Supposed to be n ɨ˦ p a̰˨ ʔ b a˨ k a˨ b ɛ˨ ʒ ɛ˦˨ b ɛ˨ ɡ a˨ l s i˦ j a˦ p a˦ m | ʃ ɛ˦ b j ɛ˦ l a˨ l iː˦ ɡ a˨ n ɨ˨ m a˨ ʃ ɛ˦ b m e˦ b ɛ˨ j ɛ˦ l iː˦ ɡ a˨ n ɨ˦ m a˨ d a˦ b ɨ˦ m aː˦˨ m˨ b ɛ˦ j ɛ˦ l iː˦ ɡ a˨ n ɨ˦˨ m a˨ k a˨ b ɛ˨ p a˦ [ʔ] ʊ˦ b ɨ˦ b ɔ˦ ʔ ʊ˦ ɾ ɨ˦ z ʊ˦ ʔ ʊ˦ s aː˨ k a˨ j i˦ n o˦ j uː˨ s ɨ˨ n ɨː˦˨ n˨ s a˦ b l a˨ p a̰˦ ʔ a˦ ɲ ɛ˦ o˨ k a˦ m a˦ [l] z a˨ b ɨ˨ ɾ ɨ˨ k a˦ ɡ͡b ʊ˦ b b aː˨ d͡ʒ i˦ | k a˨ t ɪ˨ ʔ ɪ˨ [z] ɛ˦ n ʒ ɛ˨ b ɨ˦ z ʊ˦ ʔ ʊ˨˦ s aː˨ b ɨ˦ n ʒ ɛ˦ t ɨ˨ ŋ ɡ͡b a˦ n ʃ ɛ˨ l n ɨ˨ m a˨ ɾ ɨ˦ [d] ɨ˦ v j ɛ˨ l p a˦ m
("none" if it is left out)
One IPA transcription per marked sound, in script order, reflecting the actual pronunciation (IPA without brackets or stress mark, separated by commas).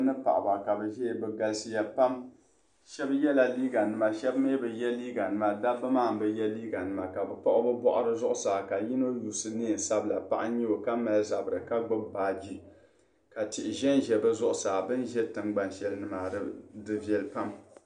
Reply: ʔ, l, ʒ, d